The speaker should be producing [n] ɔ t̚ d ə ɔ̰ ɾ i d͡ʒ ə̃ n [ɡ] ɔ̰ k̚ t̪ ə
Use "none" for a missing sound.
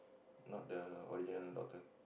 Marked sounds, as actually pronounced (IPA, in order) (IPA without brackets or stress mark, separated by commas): n, d